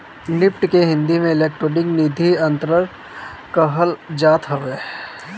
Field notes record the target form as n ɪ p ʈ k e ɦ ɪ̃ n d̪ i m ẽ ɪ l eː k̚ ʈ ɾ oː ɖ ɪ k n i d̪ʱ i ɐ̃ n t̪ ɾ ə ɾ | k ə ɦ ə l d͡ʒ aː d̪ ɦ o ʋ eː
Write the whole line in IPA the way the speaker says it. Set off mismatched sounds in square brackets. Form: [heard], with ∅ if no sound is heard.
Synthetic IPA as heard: n ɪ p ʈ k e ɦ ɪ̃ n d̪ i m ẽ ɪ l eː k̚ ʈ ɾ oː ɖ ɪ k n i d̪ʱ i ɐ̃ n t̪ ɾ ə ɾ | k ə ɦ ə l d͡ʒ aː [t̪] ɦ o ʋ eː